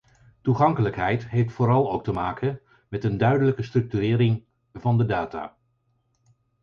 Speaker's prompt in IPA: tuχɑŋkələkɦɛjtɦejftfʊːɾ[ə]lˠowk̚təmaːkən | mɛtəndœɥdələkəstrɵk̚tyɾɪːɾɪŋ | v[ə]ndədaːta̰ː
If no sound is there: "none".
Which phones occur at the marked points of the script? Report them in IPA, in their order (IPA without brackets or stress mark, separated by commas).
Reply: ɑ, ɑ